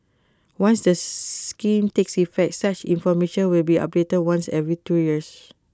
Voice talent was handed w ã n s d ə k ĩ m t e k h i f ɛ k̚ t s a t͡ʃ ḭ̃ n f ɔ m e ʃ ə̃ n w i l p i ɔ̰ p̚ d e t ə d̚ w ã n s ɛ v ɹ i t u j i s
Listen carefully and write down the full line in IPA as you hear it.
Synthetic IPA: w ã n s d ə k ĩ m t e k s i f ɛ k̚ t s a t͡ʃ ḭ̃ n f ɔ m e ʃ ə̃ n w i l b i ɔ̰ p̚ d e t ə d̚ w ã n s ɛ v ɹ i t u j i s